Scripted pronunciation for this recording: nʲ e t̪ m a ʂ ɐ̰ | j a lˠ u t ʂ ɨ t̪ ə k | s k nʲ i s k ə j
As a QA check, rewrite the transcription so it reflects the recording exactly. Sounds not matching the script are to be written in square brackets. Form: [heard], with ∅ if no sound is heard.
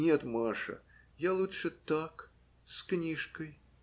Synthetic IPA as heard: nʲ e t̪ m a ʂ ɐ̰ | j a lˠ u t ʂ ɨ t̪ [a] k | s k nʲ i [ʂ] k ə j